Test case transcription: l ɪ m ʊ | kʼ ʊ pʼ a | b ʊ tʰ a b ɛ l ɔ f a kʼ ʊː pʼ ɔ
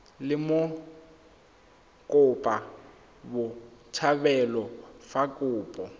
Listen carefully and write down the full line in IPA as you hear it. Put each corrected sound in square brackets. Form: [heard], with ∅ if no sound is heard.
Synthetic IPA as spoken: l ɪ m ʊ | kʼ ʊ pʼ a | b ʊ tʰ a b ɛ l ɔ f a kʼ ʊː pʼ ɔ